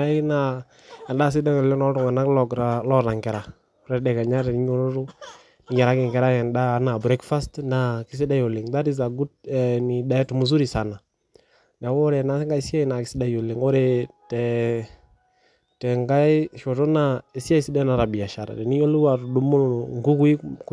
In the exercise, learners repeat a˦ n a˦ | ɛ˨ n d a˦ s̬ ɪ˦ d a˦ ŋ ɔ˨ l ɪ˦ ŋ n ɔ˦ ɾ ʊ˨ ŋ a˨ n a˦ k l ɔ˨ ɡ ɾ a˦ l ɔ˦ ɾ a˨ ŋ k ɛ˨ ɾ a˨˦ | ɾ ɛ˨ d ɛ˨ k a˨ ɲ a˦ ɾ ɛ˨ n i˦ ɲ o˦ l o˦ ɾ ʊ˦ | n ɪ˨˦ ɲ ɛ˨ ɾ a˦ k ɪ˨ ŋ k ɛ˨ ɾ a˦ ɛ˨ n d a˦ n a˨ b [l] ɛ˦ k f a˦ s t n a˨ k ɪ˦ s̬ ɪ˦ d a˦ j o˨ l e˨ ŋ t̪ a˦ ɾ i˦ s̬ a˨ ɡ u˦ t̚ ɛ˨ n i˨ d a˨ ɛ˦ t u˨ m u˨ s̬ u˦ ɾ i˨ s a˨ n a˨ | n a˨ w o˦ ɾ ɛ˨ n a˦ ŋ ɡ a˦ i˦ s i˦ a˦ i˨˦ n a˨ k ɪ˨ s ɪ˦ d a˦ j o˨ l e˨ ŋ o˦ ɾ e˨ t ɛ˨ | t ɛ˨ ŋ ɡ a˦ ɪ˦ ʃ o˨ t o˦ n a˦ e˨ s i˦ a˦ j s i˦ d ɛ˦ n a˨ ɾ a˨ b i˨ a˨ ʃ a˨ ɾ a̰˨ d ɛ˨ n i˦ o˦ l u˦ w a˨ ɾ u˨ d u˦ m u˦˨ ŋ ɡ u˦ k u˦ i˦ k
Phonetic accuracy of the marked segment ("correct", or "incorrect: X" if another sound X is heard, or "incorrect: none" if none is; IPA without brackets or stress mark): incorrect: ɾ